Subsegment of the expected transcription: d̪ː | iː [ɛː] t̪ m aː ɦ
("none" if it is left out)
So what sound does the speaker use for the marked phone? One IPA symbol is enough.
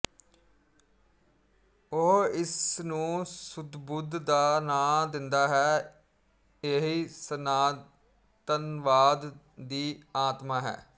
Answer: aː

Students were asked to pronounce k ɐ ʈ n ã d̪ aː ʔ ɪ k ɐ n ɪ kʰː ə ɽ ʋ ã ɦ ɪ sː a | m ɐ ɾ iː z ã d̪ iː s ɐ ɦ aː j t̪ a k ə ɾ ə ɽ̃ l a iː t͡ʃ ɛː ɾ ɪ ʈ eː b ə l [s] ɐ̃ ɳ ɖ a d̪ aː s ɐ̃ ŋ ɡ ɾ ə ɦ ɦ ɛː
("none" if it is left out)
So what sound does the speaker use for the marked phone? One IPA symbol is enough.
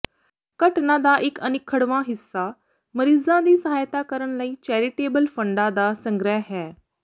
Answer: f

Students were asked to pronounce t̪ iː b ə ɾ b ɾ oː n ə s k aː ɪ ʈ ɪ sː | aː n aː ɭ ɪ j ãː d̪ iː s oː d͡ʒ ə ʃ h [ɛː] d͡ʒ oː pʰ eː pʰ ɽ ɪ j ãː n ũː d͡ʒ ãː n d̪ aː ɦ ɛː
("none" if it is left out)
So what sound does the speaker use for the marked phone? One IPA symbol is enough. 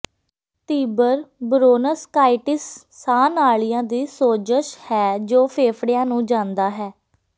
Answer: ɛː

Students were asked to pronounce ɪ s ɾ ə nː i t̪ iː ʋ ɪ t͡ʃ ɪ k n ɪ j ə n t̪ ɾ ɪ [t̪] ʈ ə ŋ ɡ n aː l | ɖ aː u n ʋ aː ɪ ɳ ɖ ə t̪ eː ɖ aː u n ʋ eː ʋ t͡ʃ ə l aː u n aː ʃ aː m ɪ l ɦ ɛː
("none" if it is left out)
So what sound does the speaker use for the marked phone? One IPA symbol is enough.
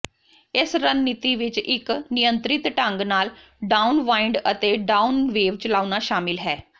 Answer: t̪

